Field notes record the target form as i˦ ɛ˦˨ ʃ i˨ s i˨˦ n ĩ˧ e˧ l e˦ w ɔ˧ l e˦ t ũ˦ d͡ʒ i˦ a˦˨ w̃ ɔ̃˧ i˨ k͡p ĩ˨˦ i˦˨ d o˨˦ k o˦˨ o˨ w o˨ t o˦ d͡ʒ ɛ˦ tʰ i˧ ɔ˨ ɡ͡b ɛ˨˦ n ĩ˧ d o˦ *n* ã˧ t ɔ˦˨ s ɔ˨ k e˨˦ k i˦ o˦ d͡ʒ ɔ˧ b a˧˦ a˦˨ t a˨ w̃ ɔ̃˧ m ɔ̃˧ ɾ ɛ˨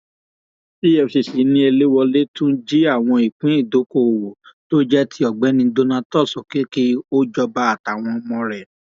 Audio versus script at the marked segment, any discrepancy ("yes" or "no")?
no